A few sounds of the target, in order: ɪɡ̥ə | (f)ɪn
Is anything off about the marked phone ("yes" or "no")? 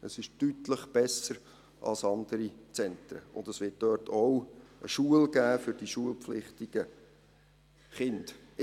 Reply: yes